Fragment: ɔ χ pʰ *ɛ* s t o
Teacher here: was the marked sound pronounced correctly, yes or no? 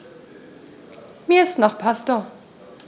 no